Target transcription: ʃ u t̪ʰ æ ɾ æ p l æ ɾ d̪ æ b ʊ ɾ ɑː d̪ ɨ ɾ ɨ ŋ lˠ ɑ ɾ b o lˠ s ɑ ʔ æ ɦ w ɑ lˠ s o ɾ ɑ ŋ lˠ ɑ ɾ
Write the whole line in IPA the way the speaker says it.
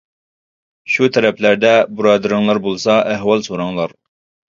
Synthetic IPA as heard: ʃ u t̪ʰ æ ɾ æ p l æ ɾ d̪ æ b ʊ ɾ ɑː d̪ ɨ ɾ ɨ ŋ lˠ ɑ ɾ b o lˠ s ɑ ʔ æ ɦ w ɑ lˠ s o ɾ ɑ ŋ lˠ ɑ ɾ

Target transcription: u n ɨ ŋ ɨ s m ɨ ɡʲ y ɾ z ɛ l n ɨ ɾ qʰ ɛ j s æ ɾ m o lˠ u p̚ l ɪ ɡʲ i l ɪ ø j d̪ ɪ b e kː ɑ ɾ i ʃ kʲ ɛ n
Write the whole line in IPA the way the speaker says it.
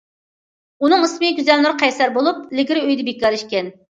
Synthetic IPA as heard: u n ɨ ŋ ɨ s m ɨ ɡʲ y z ɛ l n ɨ ɾ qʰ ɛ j s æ ɾ b o lˠ u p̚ l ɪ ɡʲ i ɾ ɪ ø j d̪ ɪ b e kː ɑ ɾ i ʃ kʲ ɛ n

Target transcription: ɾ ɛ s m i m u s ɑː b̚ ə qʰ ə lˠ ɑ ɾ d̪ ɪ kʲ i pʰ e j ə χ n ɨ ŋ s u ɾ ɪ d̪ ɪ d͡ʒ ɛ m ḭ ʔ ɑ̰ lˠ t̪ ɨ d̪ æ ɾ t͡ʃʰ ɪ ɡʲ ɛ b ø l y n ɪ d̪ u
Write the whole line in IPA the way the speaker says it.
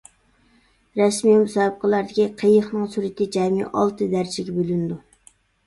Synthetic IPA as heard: ɾ ɛ s m i m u s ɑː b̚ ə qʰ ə lˠ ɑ ɾ d̪ ɪ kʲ i qʰ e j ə χ n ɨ ŋ s u ɾ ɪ t̪ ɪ d͡ʒ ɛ m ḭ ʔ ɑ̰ lˠ t̪ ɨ d̪ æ ɾ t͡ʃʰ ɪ ɡʲ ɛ b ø l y n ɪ d̪ u

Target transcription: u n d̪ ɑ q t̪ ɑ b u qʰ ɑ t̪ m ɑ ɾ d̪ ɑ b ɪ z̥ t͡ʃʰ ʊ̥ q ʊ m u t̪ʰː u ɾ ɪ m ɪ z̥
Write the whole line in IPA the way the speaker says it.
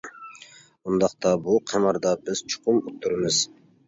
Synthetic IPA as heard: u n d̪ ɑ q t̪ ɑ b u qʰ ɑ m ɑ ɾ d̪ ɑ b ɪ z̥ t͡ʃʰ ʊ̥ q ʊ m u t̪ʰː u ɾ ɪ m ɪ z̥

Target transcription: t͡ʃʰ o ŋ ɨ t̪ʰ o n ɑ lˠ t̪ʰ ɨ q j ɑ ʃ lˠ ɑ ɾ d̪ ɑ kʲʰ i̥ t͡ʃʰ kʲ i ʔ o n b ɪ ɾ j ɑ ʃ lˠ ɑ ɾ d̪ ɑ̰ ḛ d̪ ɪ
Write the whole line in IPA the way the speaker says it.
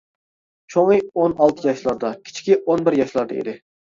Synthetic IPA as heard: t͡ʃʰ o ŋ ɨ o n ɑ lˠ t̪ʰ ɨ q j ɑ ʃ lˠ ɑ ɾ d̪ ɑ kʲʰ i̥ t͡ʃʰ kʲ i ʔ o n b ɪ ɾ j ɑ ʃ lˠ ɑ ɾ d̪ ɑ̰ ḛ d̪ ɪ

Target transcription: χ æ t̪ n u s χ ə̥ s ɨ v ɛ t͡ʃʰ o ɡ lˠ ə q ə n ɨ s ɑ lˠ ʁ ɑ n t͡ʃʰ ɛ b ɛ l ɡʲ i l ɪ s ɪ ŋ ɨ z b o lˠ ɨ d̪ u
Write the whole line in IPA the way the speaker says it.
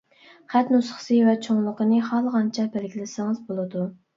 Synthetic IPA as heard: χ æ t̪ n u s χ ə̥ s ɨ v ɛ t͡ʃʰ o ŋ lˠ ə q ə n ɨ χ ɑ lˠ ʁ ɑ n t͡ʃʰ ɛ b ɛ l ɡʲ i l ɪ s ɪ ŋ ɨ z b o lˠ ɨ d̪ u

